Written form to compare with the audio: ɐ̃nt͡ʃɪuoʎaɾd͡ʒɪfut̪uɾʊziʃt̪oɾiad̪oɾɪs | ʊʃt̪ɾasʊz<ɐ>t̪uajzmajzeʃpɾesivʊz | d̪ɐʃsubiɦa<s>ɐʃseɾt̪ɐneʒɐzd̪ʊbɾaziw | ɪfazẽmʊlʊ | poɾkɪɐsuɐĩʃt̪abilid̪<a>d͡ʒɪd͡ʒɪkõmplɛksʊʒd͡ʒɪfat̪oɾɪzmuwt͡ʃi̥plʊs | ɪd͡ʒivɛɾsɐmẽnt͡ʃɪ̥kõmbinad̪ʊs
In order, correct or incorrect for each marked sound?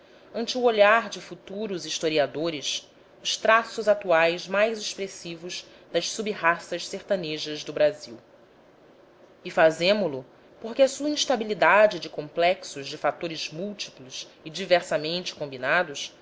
incorrect: a, correct, correct

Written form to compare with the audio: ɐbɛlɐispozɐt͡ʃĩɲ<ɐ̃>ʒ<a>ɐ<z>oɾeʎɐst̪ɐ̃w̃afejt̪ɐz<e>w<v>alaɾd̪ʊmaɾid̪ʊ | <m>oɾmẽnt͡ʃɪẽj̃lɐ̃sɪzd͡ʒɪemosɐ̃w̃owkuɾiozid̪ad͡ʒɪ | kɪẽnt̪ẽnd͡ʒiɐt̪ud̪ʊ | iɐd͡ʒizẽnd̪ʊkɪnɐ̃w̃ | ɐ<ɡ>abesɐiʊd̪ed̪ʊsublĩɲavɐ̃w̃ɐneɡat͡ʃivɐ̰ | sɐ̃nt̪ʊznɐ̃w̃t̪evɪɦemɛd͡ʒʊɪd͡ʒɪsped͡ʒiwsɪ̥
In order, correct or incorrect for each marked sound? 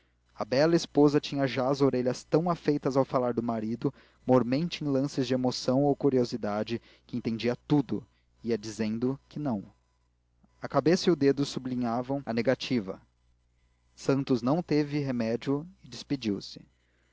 incorrect: ɐ, correct, correct, incorrect: a, incorrect: f, correct, incorrect: k

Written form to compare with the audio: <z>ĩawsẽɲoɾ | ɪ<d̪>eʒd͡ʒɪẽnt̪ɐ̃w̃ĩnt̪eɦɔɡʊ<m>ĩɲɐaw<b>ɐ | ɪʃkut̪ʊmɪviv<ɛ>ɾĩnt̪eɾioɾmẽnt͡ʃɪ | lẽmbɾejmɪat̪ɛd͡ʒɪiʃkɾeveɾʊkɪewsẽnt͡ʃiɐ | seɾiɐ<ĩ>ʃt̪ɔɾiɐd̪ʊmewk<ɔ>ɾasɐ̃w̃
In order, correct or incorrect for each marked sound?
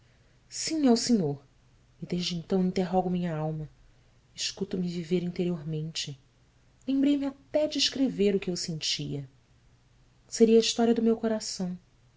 incorrect: s, correct, correct, incorrect: m, incorrect: e, incorrect: i, incorrect: o

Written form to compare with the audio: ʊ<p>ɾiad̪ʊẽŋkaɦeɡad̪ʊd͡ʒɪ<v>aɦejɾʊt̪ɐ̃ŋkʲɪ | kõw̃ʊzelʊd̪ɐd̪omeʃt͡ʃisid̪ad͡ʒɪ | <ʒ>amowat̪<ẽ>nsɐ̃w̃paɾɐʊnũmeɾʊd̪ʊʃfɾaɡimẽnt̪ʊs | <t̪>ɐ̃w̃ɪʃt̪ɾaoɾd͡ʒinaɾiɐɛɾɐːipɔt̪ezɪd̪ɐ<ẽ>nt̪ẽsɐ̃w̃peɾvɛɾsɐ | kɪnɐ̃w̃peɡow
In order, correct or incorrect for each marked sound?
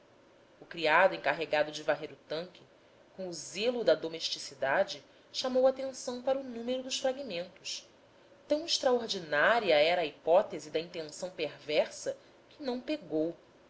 incorrect: k, correct, incorrect: ʃ, correct, correct, incorrect: ĩ

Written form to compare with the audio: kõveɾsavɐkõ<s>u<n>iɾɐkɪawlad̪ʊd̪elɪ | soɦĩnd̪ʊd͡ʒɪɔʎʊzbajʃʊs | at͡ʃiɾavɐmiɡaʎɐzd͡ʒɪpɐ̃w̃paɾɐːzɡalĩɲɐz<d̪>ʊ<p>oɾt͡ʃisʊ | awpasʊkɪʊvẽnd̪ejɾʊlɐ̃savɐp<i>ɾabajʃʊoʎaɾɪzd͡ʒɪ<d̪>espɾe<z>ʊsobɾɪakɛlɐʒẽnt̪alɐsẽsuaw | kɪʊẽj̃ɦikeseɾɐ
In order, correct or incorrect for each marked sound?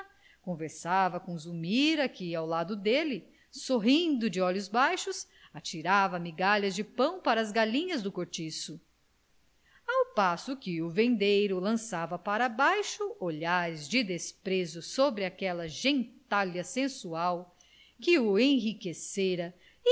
incorrect: z, incorrect: m, correct, incorrect: k, incorrect: a, correct, correct

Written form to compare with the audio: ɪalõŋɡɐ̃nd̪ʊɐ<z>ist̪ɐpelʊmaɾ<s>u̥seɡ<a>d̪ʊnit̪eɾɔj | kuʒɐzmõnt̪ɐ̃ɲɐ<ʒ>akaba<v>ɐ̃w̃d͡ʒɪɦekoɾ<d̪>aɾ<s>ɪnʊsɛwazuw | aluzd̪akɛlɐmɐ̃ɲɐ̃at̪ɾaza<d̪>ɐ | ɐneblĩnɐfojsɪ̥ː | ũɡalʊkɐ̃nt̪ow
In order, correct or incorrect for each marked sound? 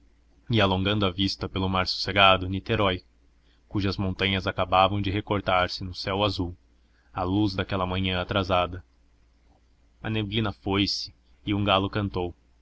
incorrect: v, correct, correct, incorrect: z, correct, incorrect: t̪, correct, correct

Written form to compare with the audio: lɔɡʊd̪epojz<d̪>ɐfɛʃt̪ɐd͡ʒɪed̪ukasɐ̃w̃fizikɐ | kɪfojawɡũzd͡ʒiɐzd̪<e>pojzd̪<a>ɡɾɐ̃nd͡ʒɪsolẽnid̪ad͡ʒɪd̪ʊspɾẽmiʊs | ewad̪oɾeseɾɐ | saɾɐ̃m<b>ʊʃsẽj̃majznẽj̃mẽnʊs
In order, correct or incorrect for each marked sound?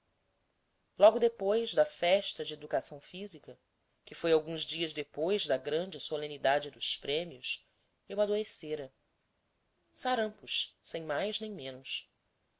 correct, correct, incorrect: ɐ, incorrect: p

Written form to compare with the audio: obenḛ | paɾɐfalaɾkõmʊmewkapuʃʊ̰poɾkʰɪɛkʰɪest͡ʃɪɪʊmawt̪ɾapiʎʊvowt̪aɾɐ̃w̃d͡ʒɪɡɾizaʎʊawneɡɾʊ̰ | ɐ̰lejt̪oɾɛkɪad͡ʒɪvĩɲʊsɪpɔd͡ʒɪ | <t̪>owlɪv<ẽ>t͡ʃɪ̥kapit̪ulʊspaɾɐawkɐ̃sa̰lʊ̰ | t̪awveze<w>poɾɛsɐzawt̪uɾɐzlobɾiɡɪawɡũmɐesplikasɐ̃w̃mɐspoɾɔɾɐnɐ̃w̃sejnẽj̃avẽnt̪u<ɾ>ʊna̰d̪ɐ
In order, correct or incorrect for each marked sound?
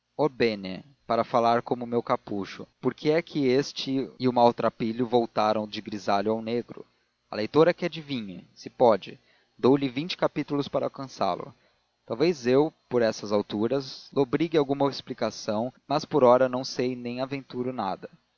incorrect: d̪, incorrect: ĩ, correct, correct

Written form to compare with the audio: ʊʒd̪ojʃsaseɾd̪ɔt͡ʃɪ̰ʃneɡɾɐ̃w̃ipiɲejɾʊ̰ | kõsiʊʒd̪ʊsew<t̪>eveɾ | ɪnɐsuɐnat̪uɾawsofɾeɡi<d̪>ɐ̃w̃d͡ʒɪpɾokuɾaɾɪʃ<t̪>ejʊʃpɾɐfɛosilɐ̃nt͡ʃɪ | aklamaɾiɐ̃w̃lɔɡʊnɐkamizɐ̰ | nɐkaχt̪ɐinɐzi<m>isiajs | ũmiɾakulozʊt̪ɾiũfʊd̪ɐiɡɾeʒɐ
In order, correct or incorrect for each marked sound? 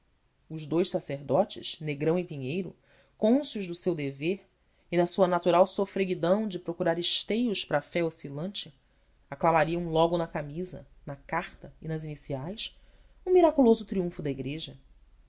incorrect: d̪, correct, correct, incorrect: n

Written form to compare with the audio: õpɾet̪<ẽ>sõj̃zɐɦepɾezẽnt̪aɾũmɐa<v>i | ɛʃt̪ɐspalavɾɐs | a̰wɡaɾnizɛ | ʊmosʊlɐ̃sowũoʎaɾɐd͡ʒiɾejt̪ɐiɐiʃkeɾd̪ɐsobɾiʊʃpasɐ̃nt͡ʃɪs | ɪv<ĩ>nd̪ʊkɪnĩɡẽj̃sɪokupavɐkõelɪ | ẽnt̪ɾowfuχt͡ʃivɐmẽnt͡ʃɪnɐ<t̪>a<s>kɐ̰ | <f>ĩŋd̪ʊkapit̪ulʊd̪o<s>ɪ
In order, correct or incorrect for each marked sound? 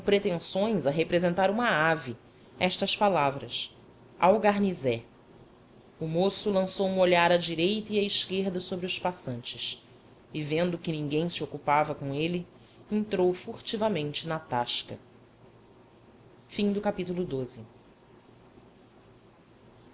correct, correct, incorrect: ẽ, correct, incorrect: ʃ, correct, incorrect: z

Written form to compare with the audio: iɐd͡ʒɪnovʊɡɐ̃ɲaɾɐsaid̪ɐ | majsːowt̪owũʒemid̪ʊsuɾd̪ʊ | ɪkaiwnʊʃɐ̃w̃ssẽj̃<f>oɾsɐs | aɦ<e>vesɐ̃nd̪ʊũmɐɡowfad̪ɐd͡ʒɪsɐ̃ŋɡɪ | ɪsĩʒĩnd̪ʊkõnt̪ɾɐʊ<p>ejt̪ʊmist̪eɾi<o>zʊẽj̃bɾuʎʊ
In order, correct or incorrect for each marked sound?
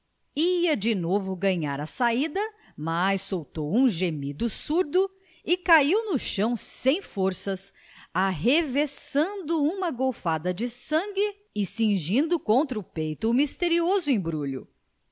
correct, correct, correct, correct

